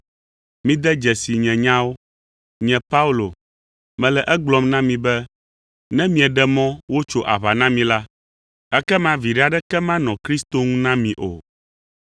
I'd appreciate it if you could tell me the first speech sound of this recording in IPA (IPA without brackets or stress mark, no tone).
m